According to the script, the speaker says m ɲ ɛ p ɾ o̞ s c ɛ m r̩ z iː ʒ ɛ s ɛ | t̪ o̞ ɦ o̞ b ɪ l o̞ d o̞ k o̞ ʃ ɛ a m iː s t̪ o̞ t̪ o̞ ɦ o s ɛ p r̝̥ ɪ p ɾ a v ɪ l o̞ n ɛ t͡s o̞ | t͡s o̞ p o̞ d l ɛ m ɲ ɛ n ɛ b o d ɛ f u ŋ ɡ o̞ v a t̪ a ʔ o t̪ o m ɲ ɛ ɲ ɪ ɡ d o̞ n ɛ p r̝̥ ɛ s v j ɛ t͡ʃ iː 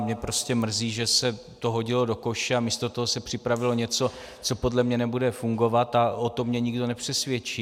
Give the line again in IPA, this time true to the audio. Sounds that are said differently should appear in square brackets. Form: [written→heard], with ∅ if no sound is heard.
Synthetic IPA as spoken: m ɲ ɛ p ɾ o̞ s c ɛ m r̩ z iː ʒ ɛ s ɛ | t̪ o̞ ɦ o̞ [b→ɟ] ɪ l o̞ d o̞ k o̞ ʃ ɛ a m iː s t̪ o̞ t̪ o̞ ɦ o s ɛ p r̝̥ ɪ p ɾ a v ɪ l o̞ [n→ɲ] ɛ t͡s o̞ | t͡s o̞ p o̞ d l ɛ m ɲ ɛ n ɛ b [o→u] d ɛ f u ŋ ɡ o̞ v a t̪ a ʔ o t̪ o m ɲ ɛ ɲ ɪ ɡ d o̞ n ɛ p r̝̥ ɛ s v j ɛ t͡ʃ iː

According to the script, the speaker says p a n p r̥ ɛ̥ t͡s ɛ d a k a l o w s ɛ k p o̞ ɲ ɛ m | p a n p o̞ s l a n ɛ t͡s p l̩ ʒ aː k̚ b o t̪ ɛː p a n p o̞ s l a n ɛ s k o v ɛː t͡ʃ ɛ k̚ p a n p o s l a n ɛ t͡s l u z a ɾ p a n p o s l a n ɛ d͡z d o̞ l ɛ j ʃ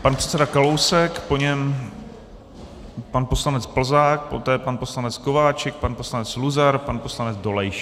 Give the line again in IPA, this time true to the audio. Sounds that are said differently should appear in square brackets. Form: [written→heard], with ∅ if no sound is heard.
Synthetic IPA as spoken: p a n p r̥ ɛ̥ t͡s ɛ d a k a l o w s ɛ k p o̞ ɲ ɛ m | p a n p o̞ s l a n ɛ t͡s p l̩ [ʒ→z] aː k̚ [b→p] o t̪ ɛː p a n p o̞ s l a n ɛ [s→t͡s] k o v [ɛː→aː] t͡ʃ ɛ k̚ p a n p o s l a n ɛ t͡s l u z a ɾ p a n p o s l a n ɛ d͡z d o̞ l ɛ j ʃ

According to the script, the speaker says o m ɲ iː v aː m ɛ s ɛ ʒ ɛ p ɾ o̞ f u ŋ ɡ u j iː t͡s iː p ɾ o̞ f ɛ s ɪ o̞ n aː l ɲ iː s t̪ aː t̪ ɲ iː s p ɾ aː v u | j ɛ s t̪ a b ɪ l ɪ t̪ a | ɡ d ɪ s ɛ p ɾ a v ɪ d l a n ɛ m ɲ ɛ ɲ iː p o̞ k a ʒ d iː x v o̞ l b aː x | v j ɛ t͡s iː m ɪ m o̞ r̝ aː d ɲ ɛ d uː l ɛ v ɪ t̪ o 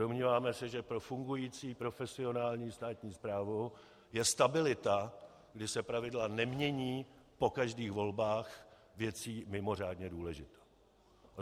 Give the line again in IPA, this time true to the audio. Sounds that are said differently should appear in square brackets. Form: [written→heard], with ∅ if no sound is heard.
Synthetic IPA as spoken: o m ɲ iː v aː m ɛ s ɛ ʒ ɛ p ɾ o̞ f u ŋ ɡ u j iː t͡s iː p ɾ o̞ f ɛ s ɪ o̞ n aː l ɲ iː s t̪ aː t̪ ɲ iː s p ɾ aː v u | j ɛ s t̪ a b ɪ l ɪ t̪ a | ɡ d ɪ s ɛ p ɾ a v ɪ d l a n ɛ m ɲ ɛ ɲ iː p o̞ k a ʒ d iː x v o̞ l b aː x | v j ɛ t͡s iː m ɪ m o̞ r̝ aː d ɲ ɛ d uː l ɛ [v→ʒ] ɪ t̪ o

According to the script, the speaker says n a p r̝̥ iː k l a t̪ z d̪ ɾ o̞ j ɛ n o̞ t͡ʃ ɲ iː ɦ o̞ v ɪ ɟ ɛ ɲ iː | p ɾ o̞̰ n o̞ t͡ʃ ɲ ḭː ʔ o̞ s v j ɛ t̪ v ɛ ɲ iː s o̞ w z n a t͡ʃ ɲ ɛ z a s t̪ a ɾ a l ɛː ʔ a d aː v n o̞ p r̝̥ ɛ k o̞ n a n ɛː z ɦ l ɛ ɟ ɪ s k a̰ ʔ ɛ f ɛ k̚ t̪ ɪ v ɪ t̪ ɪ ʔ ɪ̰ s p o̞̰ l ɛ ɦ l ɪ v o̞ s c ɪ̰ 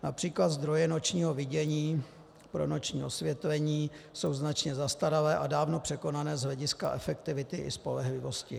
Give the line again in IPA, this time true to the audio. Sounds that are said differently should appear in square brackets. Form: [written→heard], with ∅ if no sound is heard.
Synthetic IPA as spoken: n a p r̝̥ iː k l a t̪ z d̪ ɾ o̞ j ɛ n o̞ t͡ʃ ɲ iː ɦ o̞ v ɪ ɟ ɛ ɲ iː | p ɾ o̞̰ n o̞ t͡ʃ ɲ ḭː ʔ o̞ s v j ɛ t̪ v ɛ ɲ iː s o̞ w z n a t͡ʃ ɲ ɛ z a s t̪ a ɾ a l ɛː ʔ a d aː v n o̞ p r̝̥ ɛ k o̞ n a n ɛː z ɦ l ɛ ɟ ɪ s k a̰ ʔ ɛ f ɛ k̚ t̪ ɪ v ɪ t̪ ɪ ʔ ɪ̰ s p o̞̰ l ɛ ɦ l ɪ v o̞ s c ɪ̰

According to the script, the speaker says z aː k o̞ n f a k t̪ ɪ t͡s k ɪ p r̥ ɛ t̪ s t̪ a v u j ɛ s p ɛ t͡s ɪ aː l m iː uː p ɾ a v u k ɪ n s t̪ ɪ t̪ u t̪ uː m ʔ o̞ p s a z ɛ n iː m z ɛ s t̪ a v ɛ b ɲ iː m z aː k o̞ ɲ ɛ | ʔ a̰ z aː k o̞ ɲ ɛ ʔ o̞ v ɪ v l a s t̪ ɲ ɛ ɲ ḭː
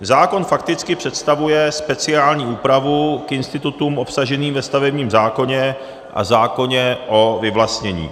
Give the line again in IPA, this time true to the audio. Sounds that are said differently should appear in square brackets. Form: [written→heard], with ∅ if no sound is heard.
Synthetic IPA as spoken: z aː k o̞ n f a k t̪ ɪ t͡s k ɪ p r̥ ɛ t̪ s t̪ a v u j ɛ s p ɛ t͡s ɪ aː l [m→ɲ] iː uː p ɾ a v u k ɪ n s t̪ ɪ t̪ u t̪ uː m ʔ o̞ p s a [z→ʒ] ɛ n iː m [z→v] ɛ s t̪ a v ɛ b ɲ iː m z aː k o̞ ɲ ɛ | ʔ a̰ z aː k o̞ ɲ ɛ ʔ o̞ v ɪ v l a s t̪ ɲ ɛ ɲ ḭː

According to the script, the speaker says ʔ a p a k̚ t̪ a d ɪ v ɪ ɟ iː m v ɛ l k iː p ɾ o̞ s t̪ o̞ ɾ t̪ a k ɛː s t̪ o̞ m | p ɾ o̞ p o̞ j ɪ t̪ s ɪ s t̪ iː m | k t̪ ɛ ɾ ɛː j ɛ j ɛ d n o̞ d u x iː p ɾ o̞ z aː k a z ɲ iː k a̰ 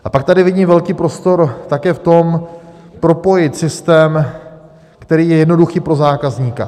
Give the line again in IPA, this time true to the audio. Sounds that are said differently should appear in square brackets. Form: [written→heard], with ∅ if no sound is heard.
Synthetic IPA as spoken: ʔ a p a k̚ t̪ a d ɪ v ɪ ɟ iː m v ɛ l k iː p ɾ o̞ s t̪ o̞ ɾ t̪ a k ɛː [s→f] t̪ o̞ m | p ɾ o̞ p o̞ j ɪ t̪ s ɪ s t̪ [iː→ɛː] m | k t̪ ɛ ɾ [ɛː→iː] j ɛ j ɛ d n o̞ d u x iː p ɾ o̞ z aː k a z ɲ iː k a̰

